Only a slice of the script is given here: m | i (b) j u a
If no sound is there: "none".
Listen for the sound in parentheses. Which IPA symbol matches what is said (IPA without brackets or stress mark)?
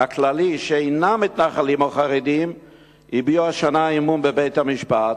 b